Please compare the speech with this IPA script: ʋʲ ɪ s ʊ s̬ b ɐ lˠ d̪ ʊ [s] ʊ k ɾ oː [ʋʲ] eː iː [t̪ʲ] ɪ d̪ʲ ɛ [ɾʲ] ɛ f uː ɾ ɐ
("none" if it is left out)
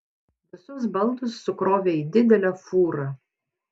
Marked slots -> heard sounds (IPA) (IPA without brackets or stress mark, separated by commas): sː, ʋʲ, d̪ʲ, lʲ